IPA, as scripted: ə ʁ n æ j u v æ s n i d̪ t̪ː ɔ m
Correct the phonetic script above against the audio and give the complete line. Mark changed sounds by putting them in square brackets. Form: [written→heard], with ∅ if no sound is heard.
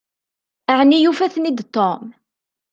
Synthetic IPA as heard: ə [ʁ→ʕ] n [æ→i] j u [v→f] æ [s→θ] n i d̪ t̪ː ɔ m